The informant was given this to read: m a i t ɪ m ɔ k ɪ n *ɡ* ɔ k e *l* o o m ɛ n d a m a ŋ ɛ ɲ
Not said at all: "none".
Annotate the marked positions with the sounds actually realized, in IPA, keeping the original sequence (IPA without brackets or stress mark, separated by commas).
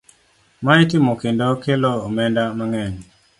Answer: d, l